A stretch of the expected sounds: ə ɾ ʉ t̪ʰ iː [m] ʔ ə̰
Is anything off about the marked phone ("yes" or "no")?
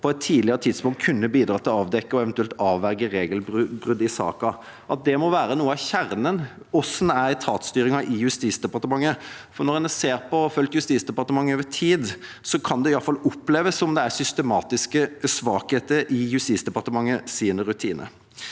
yes